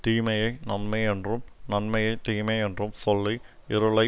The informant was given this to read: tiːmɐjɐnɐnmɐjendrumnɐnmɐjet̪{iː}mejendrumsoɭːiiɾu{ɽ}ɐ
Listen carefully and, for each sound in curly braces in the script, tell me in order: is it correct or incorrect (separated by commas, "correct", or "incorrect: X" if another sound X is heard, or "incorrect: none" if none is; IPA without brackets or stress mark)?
correct, incorrect: ɭ